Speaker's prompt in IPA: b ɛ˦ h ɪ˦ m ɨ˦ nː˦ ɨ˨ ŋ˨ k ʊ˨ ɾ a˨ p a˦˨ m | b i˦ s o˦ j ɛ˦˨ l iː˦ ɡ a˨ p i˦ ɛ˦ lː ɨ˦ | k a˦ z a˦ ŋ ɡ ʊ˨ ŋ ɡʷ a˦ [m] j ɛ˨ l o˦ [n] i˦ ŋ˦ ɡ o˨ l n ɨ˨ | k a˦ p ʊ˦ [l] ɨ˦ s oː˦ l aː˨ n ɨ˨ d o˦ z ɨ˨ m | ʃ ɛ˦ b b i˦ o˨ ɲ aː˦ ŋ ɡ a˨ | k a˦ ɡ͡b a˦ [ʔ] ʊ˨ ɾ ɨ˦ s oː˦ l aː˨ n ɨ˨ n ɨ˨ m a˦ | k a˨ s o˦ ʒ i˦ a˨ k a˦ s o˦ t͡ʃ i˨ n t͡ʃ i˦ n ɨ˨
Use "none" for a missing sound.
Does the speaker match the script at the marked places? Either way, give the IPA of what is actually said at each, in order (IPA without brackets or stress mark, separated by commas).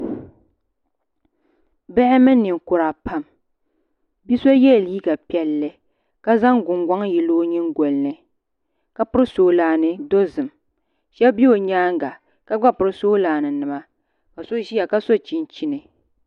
ŋ, ɲ, ɾ, p